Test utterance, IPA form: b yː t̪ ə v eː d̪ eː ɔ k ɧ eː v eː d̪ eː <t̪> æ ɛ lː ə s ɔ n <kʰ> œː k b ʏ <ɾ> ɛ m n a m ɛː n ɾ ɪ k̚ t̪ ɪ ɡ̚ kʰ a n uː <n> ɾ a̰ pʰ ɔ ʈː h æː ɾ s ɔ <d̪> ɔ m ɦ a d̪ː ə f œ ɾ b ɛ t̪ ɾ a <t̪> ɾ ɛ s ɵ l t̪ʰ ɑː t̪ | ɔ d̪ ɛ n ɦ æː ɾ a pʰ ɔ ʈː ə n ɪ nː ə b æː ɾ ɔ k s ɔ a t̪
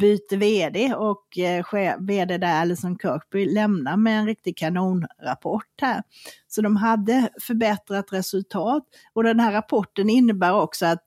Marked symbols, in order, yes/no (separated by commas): no, yes, no, yes, yes, yes